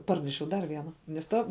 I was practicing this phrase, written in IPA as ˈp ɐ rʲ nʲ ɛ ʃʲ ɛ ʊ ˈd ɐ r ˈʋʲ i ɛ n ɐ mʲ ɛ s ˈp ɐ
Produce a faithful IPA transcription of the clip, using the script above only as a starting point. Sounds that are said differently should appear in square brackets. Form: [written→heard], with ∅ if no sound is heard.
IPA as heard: ˈp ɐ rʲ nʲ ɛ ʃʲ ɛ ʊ ˈd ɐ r ˈʋʲ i ɛ n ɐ [mʲ→nʲ] ɛ s [ˈp→ˈt] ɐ